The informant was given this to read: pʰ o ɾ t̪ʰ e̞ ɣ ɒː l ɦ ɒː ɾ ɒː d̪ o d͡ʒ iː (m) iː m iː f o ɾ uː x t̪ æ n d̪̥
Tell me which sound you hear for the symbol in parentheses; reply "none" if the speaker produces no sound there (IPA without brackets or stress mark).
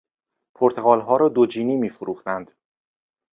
n